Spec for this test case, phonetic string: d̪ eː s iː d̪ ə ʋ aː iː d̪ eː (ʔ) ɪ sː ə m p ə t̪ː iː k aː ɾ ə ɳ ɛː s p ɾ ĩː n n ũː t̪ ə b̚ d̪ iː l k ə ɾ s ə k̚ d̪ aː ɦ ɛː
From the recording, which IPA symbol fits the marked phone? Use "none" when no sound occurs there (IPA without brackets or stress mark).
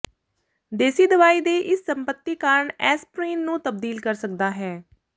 ʔ